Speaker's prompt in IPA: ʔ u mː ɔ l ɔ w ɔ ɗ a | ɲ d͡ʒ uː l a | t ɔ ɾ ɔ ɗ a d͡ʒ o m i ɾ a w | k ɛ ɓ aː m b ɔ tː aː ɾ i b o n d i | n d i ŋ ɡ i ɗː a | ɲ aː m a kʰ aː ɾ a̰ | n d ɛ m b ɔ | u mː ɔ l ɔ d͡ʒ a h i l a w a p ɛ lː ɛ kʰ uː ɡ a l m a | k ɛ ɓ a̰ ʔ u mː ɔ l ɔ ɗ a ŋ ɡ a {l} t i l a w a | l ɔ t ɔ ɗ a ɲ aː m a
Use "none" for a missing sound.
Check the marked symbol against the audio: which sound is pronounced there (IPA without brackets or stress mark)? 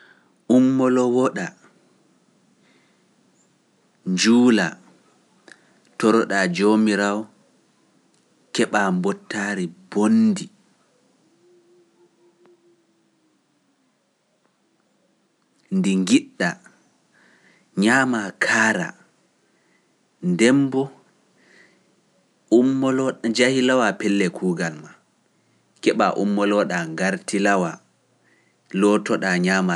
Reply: ɾ